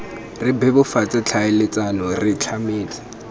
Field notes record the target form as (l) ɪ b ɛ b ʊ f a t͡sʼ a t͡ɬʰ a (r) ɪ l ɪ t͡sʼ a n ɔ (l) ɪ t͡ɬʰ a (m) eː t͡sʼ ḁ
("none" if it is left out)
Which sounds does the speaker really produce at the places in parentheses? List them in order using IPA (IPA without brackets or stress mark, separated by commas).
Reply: r, none, r, m